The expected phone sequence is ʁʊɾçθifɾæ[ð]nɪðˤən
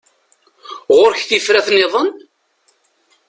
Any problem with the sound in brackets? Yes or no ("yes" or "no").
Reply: yes